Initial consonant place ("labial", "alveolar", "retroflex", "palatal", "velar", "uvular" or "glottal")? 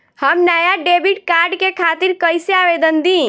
glottal